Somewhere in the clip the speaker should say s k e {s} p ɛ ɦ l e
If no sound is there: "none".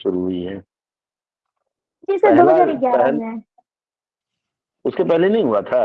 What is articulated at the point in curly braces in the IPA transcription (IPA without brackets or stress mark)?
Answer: none